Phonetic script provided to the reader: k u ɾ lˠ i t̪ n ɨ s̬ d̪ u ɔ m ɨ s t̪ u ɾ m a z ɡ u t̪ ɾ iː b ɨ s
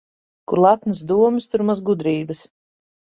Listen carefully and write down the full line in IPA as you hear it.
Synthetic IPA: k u ɾ lˠ a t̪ n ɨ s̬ d̪ u ɔ m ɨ s t̪ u ɾ m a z ɡ u d̪ ɾ iː b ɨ s